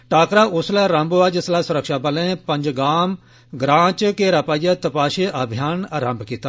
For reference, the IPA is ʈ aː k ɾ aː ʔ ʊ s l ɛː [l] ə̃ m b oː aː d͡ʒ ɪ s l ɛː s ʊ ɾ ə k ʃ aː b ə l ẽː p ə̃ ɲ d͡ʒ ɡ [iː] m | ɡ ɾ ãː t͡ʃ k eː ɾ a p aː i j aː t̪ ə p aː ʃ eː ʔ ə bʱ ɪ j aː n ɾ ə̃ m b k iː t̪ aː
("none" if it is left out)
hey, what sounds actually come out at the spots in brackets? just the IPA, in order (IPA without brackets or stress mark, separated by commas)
ɾ, aː